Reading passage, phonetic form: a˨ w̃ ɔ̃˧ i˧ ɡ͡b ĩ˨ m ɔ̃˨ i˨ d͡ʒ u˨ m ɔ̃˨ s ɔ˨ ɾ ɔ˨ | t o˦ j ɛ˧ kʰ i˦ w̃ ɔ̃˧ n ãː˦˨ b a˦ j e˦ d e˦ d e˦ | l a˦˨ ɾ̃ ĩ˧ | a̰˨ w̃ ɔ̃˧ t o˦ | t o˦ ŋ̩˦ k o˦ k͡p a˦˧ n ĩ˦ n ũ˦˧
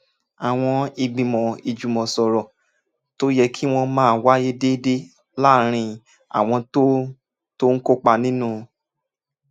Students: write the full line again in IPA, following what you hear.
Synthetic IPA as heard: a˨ w̃ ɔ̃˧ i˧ ɡ͡b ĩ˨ m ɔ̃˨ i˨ d͡ʒ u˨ m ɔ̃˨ s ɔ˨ ɾ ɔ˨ | t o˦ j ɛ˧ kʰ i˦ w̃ ɔ̃˧ m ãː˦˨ w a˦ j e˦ d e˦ d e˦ | l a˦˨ ɾ̃ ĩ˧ | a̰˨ w̃ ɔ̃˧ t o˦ | t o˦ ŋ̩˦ k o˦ k͡p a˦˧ n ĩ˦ n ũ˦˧